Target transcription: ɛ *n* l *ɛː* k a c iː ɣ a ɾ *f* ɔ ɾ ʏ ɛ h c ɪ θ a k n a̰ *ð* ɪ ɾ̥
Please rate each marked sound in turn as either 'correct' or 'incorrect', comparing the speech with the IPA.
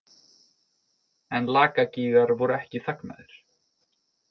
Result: correct, incorrect, incorrect, correct

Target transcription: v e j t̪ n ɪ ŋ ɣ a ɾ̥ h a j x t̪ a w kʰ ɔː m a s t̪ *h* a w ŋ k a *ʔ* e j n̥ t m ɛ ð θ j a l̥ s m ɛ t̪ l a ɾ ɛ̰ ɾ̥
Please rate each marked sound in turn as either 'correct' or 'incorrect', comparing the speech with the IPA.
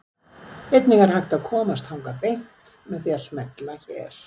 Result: correct, incorrect

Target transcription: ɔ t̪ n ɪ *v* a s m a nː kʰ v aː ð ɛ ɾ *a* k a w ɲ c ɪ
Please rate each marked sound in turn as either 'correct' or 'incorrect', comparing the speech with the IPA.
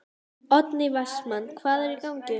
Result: correct, incorrect

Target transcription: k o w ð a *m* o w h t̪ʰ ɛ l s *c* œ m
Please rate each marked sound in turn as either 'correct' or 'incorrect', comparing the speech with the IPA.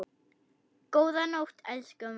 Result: incorrect, incorrect

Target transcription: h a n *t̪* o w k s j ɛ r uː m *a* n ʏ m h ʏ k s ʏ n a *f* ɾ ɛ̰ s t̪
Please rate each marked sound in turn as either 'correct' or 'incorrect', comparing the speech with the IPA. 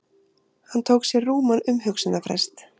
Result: incorrect, correct, correct

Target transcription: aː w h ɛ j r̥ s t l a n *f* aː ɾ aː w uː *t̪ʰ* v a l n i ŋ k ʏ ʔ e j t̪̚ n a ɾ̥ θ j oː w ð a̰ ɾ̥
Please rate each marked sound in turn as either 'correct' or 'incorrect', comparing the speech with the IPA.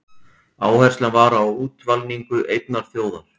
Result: incorrect, incorrect

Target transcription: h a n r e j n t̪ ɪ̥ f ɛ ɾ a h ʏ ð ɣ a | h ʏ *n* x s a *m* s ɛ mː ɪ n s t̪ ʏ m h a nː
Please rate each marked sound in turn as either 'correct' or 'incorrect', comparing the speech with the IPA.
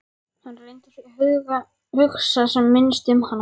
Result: incorrect, incorrect

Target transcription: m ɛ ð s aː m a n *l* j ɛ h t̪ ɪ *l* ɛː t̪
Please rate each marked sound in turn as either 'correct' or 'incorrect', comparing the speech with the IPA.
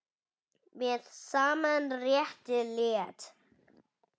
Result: incorrect, correct

